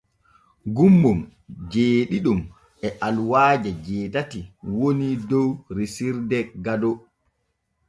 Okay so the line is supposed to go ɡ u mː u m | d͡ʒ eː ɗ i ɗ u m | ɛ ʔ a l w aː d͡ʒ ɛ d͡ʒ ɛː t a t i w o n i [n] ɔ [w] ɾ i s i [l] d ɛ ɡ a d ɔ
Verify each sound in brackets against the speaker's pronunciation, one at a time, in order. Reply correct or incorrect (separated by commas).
incorrect, correct, incorrect